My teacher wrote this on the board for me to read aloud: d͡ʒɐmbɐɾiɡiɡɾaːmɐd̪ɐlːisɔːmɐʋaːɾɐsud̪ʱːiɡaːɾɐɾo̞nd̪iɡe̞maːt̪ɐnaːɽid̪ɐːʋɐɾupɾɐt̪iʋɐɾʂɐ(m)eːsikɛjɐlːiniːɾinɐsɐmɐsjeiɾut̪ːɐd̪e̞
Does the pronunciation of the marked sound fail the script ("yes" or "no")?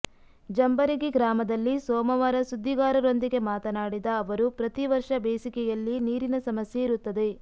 yes